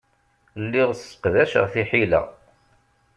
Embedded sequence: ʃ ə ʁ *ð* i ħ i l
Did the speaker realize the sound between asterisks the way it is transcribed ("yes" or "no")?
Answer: no